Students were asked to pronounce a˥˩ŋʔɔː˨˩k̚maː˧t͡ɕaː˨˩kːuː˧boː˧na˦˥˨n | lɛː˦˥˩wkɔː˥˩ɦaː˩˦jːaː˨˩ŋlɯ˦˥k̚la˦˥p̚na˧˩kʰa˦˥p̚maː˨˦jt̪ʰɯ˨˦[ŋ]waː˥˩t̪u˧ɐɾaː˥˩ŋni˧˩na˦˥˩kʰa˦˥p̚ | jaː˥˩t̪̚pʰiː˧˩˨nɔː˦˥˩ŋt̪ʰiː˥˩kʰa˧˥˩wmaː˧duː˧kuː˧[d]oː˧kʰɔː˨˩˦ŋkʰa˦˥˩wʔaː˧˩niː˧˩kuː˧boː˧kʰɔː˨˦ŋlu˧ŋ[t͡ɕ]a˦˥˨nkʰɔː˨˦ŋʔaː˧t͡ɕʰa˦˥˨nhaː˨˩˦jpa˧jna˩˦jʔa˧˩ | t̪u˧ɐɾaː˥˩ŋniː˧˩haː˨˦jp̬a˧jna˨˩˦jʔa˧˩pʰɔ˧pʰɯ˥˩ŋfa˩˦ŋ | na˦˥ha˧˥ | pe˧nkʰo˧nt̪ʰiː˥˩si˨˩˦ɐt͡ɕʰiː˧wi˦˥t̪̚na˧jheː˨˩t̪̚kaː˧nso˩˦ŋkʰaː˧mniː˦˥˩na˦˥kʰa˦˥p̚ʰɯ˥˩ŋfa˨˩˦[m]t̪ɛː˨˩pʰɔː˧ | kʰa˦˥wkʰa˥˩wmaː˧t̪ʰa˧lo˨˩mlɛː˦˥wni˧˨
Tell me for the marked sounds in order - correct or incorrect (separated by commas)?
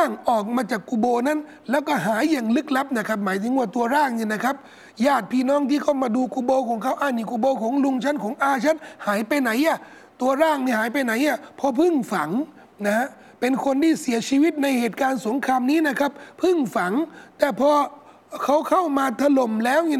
correct, incorrect, incorrect, incorrect